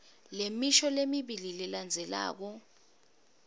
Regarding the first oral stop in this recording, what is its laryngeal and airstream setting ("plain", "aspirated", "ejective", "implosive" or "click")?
implosive